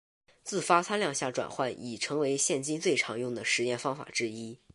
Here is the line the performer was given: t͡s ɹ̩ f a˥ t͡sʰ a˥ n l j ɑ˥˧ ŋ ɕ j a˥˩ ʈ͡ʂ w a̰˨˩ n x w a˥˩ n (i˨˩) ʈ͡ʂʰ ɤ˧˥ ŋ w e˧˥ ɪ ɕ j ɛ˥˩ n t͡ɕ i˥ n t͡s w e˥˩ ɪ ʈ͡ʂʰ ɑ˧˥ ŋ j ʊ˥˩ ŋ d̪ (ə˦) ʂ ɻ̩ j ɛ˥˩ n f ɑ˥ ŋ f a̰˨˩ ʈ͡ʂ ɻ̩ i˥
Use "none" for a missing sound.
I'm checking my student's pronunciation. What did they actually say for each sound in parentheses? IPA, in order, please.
i˨˩, ə˩

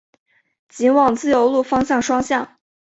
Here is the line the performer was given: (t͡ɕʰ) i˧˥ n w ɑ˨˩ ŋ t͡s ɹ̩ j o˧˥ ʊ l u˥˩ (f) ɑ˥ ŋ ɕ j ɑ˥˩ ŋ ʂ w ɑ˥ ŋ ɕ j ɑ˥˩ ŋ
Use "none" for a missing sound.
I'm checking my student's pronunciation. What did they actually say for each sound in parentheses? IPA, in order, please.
t͡ɕ, f

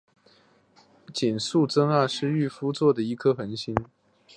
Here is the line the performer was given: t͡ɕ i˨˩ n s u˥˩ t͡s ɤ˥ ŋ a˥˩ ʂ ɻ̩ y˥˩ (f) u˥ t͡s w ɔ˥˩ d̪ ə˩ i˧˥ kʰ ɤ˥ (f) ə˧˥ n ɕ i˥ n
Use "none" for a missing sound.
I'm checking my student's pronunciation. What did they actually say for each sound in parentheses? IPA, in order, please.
f, x

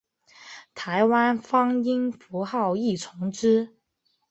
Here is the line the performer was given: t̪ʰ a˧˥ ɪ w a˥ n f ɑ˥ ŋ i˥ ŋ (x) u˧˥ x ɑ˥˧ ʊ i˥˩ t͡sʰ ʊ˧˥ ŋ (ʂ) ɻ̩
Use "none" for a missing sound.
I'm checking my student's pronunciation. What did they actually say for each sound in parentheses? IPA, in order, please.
f, ʈ͡ʂ

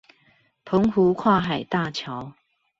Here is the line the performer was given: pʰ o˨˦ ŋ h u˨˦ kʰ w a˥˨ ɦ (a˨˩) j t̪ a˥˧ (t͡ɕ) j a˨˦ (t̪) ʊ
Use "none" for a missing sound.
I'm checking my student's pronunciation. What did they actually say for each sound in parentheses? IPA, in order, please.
a˨˩, t͡ɕʰ, none

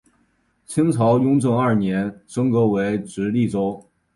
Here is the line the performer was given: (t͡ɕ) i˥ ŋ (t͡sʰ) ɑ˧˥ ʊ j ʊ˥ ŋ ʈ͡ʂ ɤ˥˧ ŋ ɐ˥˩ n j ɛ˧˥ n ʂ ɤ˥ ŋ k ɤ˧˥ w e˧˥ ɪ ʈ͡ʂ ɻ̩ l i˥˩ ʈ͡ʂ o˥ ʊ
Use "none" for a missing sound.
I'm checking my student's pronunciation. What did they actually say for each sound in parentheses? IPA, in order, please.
t͡ɕʰ, t͡sʰ

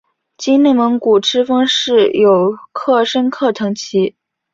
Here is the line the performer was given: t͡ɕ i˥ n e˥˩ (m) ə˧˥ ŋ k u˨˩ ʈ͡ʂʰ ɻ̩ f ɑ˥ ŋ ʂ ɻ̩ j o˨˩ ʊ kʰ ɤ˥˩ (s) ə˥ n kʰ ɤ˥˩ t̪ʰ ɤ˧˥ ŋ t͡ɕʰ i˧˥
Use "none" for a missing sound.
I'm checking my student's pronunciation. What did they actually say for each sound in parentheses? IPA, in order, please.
m, ʂ

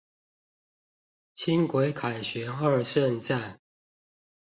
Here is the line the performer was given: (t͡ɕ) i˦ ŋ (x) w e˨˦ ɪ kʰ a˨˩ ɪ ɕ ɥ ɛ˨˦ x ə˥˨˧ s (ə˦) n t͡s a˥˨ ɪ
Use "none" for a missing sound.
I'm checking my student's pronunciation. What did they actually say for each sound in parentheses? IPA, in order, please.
t͡ɕʰ, k, ə˥˨

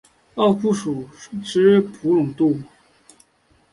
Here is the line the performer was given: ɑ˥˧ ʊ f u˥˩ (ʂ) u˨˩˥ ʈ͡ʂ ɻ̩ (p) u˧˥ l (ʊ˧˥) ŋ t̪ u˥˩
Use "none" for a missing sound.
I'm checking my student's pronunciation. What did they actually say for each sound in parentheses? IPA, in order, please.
ʂ, pʰ, ʊ˨˩

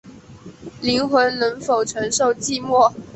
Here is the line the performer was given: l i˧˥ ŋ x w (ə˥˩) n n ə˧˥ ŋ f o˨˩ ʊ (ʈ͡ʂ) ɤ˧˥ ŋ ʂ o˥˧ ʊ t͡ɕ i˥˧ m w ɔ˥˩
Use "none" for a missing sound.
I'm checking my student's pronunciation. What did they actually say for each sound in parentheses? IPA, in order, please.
ə˧˥, ʈ͡ʂʰ

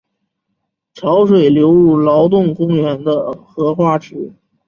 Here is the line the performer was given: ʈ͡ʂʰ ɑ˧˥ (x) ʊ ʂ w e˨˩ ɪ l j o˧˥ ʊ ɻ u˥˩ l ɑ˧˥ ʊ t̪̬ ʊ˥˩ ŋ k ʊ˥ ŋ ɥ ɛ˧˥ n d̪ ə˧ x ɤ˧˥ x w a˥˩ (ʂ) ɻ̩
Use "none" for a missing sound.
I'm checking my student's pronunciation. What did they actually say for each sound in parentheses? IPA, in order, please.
none, ʈ͡ʂ

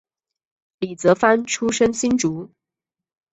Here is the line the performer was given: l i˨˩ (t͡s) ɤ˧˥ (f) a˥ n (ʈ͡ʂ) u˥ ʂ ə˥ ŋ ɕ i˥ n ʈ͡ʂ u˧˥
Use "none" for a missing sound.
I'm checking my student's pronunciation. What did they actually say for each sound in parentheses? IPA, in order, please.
t͡s, f, ʈ͡ʂʰ

